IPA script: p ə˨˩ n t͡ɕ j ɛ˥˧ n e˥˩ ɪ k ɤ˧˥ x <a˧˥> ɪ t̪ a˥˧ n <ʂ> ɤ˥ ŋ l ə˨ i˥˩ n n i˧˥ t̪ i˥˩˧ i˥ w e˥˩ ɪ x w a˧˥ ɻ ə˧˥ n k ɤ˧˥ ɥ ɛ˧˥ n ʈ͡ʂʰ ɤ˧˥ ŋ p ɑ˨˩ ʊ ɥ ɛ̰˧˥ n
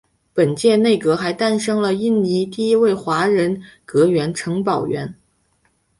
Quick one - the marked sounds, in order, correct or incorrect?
correct, correct

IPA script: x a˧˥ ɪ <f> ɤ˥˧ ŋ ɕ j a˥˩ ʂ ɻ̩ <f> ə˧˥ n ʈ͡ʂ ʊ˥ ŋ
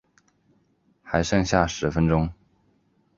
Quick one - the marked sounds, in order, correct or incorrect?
incorrect, correct

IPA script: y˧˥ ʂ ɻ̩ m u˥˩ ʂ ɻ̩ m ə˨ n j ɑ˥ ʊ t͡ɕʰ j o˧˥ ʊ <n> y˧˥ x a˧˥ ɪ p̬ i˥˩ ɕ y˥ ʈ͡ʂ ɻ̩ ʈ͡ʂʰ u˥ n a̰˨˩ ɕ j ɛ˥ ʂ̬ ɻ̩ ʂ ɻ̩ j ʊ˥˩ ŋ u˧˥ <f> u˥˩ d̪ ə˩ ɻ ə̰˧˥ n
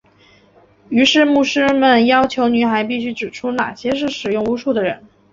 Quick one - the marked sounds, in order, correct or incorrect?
correct, incorrect

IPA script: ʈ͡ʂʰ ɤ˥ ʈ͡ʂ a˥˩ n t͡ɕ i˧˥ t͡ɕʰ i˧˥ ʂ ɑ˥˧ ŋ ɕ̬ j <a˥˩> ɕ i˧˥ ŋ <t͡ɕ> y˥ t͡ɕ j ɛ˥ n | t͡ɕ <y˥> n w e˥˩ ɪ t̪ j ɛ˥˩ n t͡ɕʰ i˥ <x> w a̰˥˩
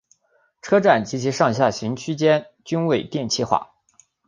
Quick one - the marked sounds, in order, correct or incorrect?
correct, incorrect, correct, correct

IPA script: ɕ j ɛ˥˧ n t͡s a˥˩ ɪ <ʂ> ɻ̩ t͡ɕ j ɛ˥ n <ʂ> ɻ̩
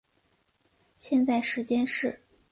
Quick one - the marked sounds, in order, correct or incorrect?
correct, correct

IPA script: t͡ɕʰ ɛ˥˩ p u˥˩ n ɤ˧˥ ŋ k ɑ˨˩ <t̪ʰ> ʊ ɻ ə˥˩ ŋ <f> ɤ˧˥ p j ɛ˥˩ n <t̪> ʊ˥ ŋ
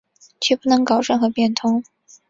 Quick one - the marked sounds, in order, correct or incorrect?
incorrect, incorrect, incorrect

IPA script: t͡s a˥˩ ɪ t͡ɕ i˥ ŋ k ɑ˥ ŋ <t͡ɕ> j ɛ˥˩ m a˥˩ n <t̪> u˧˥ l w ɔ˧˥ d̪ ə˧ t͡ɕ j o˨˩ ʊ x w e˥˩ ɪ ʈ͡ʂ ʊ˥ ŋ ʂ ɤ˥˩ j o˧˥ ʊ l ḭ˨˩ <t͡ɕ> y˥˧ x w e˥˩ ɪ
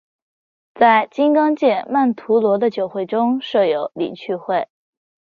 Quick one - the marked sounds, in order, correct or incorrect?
correct, incorrect, incorrect

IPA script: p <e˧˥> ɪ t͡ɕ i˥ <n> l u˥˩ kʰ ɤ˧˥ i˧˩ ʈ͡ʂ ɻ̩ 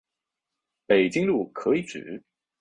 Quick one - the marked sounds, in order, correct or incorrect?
incorrect, incorrect

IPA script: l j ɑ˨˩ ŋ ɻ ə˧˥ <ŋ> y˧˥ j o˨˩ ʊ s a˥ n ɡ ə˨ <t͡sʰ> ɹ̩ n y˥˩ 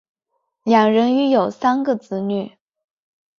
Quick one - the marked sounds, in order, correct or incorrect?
incorrect, incorrect

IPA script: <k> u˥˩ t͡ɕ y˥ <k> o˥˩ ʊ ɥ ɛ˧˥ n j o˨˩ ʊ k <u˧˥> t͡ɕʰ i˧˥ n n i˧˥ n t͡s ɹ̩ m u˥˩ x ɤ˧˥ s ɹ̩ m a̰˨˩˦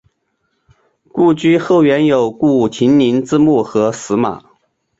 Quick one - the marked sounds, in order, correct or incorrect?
correct, incorrect, incorrect

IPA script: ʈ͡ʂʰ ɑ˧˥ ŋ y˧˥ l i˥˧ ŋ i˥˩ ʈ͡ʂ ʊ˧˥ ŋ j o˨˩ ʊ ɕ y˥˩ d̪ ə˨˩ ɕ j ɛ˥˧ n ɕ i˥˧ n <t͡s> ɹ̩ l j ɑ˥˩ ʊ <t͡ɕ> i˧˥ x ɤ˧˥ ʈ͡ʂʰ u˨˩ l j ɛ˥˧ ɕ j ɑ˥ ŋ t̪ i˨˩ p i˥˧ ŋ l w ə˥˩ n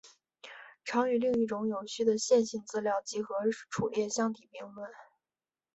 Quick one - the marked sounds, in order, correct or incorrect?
correct, correct

